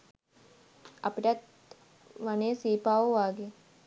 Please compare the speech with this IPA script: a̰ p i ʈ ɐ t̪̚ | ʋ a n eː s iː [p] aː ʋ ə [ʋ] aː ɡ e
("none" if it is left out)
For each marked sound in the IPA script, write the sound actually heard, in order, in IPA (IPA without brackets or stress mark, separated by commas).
p, ʋ